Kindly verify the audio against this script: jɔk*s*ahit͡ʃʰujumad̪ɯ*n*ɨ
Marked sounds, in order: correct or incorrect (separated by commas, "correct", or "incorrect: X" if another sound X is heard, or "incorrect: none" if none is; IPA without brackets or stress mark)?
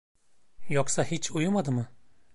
correct, incorrect: m